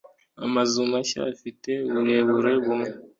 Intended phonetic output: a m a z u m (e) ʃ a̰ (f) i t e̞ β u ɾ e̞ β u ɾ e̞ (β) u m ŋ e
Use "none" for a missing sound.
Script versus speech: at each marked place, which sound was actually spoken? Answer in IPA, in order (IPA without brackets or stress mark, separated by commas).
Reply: a, f, β